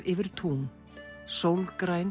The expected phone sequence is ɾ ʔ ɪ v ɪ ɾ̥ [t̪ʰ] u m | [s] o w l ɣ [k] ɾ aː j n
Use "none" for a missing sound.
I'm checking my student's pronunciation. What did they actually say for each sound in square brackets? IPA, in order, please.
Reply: t̪ʰ, s, k

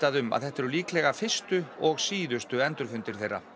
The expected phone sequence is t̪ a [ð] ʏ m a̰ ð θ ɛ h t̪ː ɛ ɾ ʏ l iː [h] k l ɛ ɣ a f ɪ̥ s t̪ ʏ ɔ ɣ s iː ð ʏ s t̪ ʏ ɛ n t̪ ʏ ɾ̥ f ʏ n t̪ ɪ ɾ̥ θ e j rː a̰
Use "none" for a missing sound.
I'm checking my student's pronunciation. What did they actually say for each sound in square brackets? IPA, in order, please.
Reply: ð, none

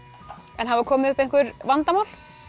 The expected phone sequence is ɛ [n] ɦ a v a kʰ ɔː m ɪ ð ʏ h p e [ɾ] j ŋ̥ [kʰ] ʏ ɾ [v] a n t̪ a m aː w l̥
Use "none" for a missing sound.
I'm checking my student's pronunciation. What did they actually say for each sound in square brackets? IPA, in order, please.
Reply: n, none, k, v

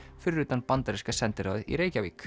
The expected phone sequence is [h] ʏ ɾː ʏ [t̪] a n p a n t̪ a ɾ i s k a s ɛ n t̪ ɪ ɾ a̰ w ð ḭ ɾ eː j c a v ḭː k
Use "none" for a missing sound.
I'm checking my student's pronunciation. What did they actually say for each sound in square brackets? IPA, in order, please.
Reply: f, t̪

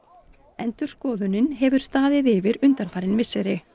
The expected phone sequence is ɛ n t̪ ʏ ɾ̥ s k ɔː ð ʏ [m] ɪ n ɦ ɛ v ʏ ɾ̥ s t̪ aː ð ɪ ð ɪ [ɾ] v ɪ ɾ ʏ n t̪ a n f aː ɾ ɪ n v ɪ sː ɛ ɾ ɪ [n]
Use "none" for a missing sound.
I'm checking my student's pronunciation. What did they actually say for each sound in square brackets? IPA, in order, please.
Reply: n, none, none

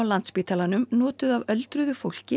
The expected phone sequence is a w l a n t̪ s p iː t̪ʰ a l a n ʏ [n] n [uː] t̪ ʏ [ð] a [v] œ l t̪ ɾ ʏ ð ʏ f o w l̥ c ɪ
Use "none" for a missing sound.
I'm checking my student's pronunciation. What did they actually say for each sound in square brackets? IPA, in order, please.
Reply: m, ɔː, ð, v

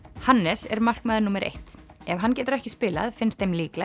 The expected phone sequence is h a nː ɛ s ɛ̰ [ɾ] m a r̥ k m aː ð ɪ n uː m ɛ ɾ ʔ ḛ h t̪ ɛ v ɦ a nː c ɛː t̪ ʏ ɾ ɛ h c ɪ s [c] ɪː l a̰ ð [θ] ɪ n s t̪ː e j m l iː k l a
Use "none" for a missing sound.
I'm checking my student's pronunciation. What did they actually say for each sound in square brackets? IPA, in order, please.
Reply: ɾ, p, f

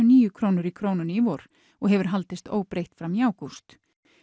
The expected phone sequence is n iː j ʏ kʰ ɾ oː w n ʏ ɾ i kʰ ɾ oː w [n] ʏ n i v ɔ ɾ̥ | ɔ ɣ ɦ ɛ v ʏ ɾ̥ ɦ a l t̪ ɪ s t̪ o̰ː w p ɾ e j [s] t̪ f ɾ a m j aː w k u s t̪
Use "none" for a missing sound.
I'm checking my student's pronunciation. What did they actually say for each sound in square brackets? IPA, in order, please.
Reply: n, h

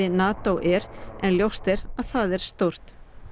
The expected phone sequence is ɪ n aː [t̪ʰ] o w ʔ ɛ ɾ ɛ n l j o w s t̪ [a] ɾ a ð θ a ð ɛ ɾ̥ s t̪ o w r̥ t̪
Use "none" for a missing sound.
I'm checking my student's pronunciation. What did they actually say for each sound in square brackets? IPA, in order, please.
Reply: t̪, ɛ

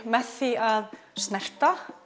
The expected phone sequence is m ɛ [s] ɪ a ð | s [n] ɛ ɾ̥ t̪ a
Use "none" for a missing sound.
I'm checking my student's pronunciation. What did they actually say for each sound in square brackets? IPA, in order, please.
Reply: θ, n

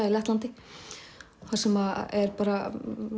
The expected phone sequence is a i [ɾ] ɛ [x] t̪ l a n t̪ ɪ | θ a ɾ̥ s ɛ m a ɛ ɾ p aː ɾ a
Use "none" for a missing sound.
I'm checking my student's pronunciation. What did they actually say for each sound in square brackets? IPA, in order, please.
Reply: l, h

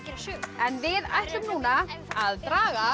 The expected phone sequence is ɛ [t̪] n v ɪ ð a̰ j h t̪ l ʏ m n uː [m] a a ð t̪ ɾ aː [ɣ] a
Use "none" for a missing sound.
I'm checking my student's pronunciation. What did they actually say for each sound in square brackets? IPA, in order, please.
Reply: none, n, ɣ

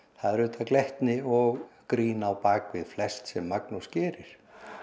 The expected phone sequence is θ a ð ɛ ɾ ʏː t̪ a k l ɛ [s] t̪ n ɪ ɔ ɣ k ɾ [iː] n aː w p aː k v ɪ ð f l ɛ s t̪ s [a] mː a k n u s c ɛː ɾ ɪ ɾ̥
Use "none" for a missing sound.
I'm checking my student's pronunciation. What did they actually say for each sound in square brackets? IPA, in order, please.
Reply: h, iː, ɛ

